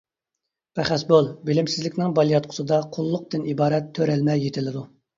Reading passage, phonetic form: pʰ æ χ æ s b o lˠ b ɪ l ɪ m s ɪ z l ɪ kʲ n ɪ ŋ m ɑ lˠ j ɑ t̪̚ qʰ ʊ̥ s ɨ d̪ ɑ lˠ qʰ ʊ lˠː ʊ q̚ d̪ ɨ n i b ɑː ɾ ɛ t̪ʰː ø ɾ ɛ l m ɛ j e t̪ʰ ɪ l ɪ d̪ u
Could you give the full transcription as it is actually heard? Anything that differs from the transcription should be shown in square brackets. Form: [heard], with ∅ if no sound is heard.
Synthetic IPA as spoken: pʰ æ χ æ s b o lˠ b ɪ l ɪ m s ɪ z l ɪ kʲ n ɪ ŋ [b] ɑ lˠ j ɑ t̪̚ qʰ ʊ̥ s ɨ d̪ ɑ [∅] qʰ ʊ lˠː ʊ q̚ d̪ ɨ n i b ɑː ɾ ɛ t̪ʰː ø ɾ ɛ l m ɛ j e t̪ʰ ɪ l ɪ d̪ u